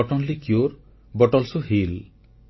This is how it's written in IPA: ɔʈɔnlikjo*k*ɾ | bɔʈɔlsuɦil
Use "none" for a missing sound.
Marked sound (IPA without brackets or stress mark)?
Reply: none